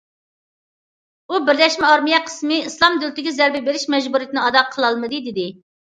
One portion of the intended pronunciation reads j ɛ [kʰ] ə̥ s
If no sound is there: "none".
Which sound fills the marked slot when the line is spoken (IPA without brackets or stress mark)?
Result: qʰ